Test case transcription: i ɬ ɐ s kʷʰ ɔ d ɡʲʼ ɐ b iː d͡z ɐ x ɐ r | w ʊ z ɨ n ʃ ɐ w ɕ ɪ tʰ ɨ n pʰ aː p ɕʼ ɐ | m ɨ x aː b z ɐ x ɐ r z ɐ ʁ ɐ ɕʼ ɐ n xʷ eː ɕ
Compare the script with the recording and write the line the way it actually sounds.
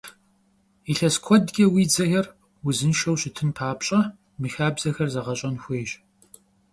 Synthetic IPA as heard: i ɬ ɐ s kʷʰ ɔ d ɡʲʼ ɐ w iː d͡z ɐ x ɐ r | w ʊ z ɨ n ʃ ɐ w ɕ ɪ tʰ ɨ n pʰ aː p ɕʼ ɐ | m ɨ x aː b z ɐ x ɐ r z ɐ ʁ ɐ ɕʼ ɐ n xʷ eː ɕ